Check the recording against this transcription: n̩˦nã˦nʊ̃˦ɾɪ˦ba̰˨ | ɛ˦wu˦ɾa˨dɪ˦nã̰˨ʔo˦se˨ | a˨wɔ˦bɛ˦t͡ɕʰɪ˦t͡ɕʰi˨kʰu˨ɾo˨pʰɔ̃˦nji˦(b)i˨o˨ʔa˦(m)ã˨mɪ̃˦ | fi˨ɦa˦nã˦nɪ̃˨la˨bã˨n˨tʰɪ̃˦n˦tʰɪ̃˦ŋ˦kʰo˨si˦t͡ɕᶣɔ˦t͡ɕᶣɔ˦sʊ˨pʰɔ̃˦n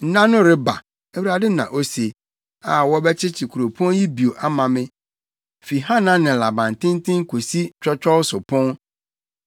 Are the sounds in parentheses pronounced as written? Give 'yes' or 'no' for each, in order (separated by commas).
yes, yes